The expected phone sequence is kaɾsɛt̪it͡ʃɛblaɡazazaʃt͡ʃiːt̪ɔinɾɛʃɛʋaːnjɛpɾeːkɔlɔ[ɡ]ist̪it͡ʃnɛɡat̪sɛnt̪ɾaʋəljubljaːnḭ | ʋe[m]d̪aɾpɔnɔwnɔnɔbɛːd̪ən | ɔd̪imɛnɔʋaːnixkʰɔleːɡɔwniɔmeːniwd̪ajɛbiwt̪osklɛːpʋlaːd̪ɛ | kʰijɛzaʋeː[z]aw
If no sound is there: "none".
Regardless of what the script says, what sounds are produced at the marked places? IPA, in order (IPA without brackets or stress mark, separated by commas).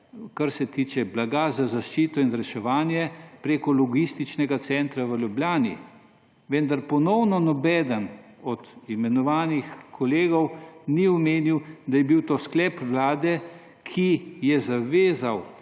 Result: ɡ, n, z